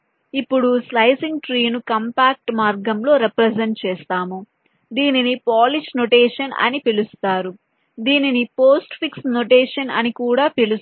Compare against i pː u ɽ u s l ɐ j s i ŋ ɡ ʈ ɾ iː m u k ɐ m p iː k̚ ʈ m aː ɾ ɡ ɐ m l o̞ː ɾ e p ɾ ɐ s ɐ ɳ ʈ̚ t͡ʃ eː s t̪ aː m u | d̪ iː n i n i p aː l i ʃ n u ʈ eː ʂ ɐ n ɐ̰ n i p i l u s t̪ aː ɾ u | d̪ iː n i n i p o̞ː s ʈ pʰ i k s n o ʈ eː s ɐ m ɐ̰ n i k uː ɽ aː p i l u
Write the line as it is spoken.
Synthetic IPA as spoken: i pː u ɽ u s l ɐ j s i ŋ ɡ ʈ ɾ iː n u k ɐ m p aː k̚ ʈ m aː ɾ ɡ ɐ m l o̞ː ɾ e p ɾ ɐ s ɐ ɳ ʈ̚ t͡ʃ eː s t̪ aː m u | d̪ iː n i n i p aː l i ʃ n o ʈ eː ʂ ɐ n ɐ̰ n i p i l u s t̪ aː ɾ u | d̪ iː n i n i p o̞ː s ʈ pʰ i k s n o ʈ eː ʂ ɐ n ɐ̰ n i k uː ɽ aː p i l u

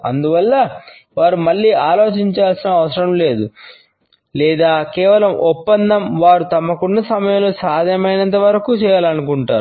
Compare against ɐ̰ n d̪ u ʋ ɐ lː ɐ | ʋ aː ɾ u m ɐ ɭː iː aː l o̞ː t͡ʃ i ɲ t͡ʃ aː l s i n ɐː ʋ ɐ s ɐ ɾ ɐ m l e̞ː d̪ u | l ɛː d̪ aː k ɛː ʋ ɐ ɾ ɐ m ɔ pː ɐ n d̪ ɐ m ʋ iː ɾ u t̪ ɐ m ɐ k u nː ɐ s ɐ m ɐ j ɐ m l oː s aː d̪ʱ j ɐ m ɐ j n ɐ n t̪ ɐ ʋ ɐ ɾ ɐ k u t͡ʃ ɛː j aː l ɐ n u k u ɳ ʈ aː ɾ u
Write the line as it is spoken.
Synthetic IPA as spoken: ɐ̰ n d̪ u ʋ ɐ lː ɐ | ʋ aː ɾ u m ɐ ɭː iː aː l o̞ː t͡ʃ i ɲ t͡ʃ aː l s i n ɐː ʋ ɐ s ɐ ɾ ɐ m l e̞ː d̪ u | l ɛː d̪ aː k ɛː ʋ ɐ l ɐ m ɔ pː ɐ n d̪ ɐ m ʋ aː ɾ u t̪ ɐ m ɐ k u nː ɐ s ɐ m ɐ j ɐ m l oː s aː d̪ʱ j ɐ m ɐ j n ɐ n t̪ ɐ ʋ ɐ ɾ ɐ k u t͡ʃ ɛː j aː l ɐ n u k u ɳ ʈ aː ɾ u

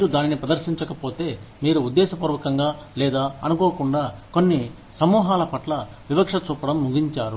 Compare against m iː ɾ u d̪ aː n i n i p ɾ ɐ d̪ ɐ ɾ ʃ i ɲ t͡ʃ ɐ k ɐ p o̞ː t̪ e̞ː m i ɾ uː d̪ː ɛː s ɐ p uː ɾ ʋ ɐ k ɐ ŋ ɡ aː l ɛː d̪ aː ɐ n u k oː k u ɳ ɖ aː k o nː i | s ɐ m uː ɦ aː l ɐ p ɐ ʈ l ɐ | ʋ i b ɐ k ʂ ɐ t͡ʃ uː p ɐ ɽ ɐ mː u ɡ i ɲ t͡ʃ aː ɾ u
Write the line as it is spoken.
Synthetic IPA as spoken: m iː ɾ u d̪ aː n i n i p ɾ ɐ d̪ ɐ ɾ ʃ i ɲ t͡ʃ ɐ k ɐ p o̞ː t̪ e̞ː m iː ɾ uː d̪ː ɛː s ɐ p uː ɾ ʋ ɐ k ɐ ŋ ɡ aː l ɛː d̪ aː ɐ n u k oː k u ɳ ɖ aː k o nː i | s ɐ m uː ɦ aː l ɐ p ɐ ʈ l ɐ | ʋ i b ɐ k ʂ ɐ t͡ʃ uː p ɐ ɽ ɐ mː u ɡ i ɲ t͡ʃ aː ɾ u

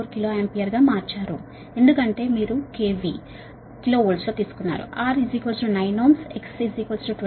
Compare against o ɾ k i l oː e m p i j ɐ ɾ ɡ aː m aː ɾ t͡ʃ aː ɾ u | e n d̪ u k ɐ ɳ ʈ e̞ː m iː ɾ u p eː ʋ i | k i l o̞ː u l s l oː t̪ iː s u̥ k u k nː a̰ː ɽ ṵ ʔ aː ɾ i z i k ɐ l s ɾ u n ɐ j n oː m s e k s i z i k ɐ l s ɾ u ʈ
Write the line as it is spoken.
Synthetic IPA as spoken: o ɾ k i l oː e m p i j ɐ ɾ ɡ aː m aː ɾ t͡ʃ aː ɾ u | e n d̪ u k ɐ ɳ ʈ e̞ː m iː ɾ u k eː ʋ i | k i l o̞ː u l s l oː t̪ iː s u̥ k u nː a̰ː ɾ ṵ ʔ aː ɾ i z i k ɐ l s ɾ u n ɐ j n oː m s e k s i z i k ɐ l s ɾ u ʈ

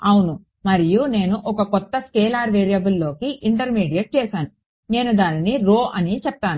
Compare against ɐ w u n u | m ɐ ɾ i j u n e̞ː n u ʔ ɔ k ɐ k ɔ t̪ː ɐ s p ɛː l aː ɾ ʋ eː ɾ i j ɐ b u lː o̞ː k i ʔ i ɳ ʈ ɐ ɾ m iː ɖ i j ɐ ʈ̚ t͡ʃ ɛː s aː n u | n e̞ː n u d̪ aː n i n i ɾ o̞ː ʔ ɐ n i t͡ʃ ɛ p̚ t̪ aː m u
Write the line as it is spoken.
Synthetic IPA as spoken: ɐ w u n u | m ɐ ɾ i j u n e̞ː n u ʔ ɔ k ɐ k ɔ t̪ː ɐ s k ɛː l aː ɾ ʋ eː ɾ i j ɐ b u lː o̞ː k i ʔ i ɳ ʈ ɐ ɾ m iː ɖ i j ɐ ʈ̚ t͡ʃ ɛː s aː n u | n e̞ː n u d̪ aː n i n i ɾ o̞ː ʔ ɐ n i t͡ʃ ɛ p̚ t̪ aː n u

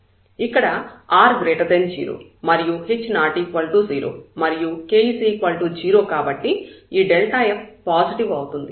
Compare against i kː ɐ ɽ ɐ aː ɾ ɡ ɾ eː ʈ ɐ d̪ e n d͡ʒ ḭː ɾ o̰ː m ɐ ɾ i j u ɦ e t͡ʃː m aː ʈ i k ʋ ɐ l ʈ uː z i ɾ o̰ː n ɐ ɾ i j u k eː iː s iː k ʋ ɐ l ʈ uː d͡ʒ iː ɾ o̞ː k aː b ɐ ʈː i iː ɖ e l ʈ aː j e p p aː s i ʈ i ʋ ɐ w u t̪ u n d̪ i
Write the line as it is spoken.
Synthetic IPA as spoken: i kː ɐ ɽ ɐ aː ɾ ɡ ɾ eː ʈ ɐ d̪ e n d͡ʒ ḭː ɾ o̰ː m ɐ ɾ i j u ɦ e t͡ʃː n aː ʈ i k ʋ ɐ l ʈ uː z iː ɾ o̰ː m ɐ ɾ i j u k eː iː s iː k ʋ ɐ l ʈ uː d͡ʒ iː ɾ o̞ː k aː b ɐ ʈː i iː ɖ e l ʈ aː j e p p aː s i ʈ i ʋ ɐ w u t̪ u n d̪ i

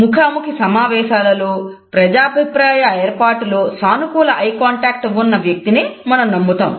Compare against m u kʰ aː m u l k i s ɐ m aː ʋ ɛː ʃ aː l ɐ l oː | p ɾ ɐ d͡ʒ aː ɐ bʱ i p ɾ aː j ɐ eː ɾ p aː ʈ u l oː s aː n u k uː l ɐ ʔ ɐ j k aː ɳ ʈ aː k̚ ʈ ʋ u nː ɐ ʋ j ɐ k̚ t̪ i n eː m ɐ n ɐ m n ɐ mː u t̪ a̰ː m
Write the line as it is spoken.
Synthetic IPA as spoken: m u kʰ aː m u k i s ɐ m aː ʋ ɛː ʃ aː l ɐ l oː | p ɾ ɐ d͡ʒ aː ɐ bʱ i p ɾ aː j ɐ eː ɾ p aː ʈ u l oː s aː n u k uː l ɐ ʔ ɐ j k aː ɳ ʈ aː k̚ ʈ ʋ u nː ɐ ʋ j ɐ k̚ t̪ i n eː m ɐ n ɐ m n ɐ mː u t̪ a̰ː m

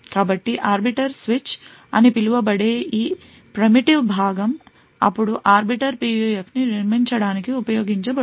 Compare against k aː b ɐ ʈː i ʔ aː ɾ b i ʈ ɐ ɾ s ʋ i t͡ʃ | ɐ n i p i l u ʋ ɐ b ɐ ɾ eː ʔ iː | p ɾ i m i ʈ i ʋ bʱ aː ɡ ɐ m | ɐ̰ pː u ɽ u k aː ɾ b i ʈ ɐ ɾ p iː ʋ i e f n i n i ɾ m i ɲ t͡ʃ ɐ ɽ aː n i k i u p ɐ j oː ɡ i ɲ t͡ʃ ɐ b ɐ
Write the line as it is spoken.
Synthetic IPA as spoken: k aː b ɐ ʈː i ʔ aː ɾ b i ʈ ɐ ɾ s ʋ i t͡ʃ | ɐ n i p i l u ʋ ɐ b ɐ ɽ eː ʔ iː | p ɾ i m i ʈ i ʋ bʱ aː ɡ ɐ m | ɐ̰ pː u ɽ u ʔ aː ɾ b i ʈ ɐ ɾ p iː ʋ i e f n i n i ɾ m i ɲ t͡ʃ ɐ ɽ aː n i k i u p ɐ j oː ɡ i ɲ t͡ʃ ɐ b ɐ

